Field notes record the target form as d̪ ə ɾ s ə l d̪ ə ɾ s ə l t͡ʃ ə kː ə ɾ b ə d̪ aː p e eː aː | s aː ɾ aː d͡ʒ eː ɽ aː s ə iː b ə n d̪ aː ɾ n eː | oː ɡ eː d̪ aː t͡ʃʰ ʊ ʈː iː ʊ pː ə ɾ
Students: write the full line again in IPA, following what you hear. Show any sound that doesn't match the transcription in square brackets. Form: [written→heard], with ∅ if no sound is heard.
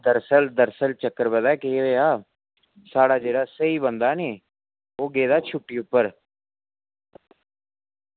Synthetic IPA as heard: d̪ ə ɾ s ə l d̪ ə ɾ s ə l t͡ʃ ə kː ə ɾ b ə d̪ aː [p→k] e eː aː | s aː [ɾ→ɽ] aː d͡ʒ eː ɽ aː s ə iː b ə n d̪ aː [ɾ→∅] n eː | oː ɡ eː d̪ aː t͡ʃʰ ʊ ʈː iː ʊ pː ə ɾ